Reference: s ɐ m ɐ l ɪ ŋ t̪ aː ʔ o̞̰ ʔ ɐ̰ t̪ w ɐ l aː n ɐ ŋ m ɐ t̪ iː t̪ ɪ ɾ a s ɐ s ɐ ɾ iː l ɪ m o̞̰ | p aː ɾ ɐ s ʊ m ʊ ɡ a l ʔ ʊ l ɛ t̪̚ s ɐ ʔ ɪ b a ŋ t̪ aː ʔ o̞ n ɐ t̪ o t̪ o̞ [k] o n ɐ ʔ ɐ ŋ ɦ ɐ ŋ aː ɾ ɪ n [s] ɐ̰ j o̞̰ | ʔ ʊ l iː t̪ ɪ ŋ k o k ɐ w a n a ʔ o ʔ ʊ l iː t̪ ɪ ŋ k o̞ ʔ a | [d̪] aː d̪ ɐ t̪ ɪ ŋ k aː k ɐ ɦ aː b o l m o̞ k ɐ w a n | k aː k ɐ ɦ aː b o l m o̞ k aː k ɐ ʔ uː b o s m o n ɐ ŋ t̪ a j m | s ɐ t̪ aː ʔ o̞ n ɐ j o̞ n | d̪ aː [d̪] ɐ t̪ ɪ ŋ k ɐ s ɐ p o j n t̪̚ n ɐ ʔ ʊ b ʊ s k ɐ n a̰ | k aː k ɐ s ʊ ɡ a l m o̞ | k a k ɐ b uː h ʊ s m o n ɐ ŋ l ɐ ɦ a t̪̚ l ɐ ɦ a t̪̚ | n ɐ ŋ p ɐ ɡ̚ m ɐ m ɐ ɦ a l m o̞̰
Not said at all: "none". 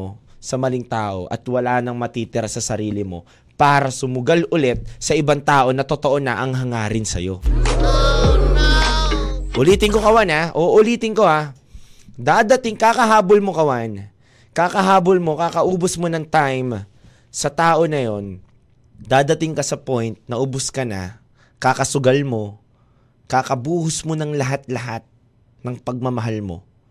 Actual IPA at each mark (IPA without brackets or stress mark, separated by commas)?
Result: ʔ, s, d̪, d̪